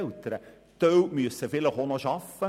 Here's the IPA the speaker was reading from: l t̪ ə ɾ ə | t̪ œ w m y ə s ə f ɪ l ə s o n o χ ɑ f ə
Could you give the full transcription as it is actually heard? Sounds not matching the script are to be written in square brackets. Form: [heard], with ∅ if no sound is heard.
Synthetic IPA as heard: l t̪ ə ɾ ə | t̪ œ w m y ə s ə f ɪ l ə [χ] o n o [ʃ] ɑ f ə

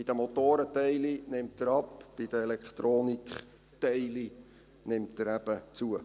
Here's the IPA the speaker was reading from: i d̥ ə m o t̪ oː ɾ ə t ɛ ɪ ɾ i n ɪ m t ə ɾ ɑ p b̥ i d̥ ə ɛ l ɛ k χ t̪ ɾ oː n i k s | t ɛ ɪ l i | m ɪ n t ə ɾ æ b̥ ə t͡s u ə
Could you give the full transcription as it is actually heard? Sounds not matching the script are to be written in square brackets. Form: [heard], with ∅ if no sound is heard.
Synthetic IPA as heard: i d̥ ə m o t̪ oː ɾ ə t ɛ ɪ [l] i n ɪ m t ə ɾ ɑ p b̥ i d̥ ə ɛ l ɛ k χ t̪ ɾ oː n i k [χ] | t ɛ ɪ l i | [n] ɪ [m] t ə ɾ æ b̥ ə t͡s u ə

